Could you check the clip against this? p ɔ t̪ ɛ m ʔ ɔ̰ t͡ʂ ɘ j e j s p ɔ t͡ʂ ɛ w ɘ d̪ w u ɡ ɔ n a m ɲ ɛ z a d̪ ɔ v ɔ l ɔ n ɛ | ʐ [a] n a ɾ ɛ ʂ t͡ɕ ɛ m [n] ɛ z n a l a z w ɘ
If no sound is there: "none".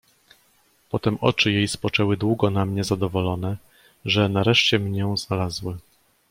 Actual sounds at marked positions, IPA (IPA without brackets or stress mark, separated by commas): ɛ, ɲ